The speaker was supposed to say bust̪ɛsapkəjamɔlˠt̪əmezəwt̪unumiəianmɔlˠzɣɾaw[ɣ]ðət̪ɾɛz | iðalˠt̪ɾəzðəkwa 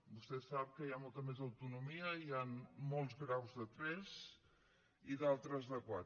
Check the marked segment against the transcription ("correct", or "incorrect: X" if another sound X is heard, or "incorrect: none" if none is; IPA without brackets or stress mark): incorrect: z